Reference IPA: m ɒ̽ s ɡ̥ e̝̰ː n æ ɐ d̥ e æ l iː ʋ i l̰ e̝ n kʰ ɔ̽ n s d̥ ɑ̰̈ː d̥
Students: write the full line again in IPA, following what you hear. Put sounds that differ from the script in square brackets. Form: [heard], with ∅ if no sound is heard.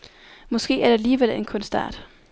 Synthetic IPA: m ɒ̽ s ɡ̥ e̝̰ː [∅] æ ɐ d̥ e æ l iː ʋ [e] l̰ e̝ n kʰ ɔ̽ n s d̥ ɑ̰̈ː d̥